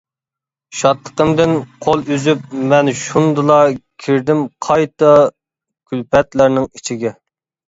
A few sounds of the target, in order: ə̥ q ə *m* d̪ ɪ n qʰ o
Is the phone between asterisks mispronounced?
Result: no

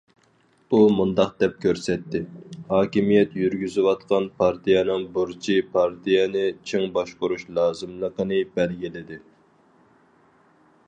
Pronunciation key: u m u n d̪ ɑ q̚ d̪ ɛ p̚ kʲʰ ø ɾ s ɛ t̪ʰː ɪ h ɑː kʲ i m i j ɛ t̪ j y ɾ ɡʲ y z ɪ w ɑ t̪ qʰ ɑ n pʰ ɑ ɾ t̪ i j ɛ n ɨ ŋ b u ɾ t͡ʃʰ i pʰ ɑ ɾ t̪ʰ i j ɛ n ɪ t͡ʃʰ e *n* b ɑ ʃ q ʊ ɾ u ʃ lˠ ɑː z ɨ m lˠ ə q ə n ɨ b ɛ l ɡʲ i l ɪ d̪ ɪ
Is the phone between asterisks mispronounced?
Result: yes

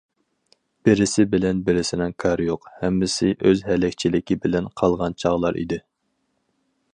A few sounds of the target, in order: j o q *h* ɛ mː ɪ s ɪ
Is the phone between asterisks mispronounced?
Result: no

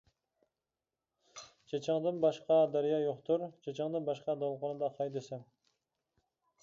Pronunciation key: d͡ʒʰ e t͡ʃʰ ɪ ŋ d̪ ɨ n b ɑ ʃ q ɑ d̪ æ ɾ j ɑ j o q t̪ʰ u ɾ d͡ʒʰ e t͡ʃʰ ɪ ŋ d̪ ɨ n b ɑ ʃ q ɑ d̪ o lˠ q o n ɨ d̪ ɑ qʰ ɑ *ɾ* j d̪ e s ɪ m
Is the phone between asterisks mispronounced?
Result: yes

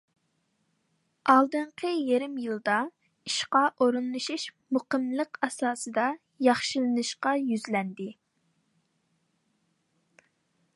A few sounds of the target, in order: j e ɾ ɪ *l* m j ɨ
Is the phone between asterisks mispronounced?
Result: yes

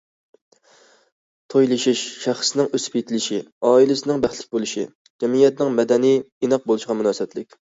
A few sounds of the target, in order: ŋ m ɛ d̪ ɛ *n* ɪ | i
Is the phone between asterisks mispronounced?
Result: no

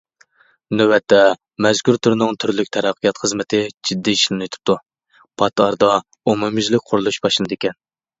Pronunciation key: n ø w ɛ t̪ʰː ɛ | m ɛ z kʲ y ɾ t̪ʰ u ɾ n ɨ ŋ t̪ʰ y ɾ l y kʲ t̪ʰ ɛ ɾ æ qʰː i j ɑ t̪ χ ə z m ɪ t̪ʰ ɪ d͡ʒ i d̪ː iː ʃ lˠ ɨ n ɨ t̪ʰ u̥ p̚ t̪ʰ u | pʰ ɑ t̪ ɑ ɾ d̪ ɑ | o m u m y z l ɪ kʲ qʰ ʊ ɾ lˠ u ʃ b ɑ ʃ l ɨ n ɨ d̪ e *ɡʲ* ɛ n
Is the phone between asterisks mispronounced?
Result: yes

